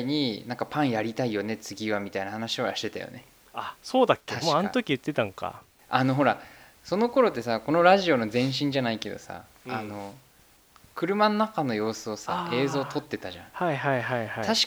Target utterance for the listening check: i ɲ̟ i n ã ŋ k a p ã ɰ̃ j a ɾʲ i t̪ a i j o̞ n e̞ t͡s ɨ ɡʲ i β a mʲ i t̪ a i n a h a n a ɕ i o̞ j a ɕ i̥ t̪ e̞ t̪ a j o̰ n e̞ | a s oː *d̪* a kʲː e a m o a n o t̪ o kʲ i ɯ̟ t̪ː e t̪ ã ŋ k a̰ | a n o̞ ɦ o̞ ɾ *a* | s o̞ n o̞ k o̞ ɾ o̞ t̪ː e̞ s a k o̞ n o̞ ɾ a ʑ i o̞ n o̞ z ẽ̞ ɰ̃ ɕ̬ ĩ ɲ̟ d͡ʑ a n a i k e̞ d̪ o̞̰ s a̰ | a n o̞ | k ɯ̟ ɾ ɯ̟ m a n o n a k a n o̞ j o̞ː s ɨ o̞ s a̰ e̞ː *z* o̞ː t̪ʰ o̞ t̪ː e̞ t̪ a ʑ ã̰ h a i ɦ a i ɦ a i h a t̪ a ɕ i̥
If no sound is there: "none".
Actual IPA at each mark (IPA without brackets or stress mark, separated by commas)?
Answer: d̪, a, z